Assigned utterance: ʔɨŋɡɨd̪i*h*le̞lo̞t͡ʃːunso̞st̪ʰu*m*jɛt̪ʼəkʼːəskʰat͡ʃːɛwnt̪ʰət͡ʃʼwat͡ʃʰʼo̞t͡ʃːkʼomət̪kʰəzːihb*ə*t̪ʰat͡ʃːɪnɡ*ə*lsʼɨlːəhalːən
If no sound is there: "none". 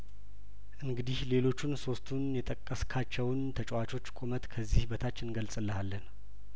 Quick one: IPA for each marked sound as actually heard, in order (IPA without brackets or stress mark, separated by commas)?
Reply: h, n, ə, ə